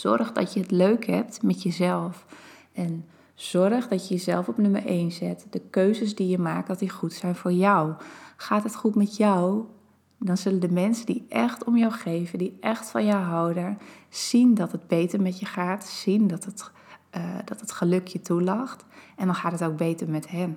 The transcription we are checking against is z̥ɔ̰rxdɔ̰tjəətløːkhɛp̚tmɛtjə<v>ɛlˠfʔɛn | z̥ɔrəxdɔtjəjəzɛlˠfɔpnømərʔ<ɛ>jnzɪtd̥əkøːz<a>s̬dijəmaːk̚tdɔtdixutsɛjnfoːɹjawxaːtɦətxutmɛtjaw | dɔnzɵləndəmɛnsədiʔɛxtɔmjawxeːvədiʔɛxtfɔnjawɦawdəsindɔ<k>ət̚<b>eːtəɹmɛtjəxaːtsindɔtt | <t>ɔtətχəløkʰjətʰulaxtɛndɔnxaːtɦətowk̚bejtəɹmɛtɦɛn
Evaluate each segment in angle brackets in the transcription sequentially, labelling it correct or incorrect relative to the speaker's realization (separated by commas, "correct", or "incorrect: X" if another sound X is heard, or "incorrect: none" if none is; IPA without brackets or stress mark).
incorrect: z, incorrect: e, incorrect: ə, incorrect: t, correct, incorrect: d